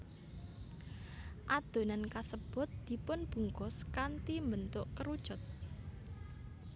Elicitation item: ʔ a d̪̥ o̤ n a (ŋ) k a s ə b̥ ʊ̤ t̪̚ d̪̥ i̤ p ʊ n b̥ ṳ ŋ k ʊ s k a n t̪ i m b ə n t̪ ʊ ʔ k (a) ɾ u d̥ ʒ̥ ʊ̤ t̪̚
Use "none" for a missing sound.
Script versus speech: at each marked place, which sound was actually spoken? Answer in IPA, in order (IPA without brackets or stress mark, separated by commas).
n, ə